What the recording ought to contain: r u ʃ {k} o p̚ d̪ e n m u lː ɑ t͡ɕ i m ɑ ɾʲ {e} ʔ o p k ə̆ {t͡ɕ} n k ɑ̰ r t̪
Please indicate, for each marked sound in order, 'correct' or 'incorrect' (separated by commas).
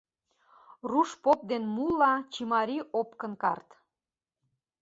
incorrect, incorrect, incorrect